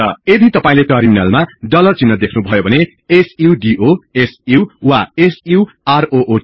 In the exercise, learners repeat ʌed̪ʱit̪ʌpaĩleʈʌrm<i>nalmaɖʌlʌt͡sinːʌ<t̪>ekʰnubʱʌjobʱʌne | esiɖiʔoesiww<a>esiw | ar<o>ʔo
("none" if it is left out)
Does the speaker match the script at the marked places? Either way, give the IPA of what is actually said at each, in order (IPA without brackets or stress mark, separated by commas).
i, d̪, a, o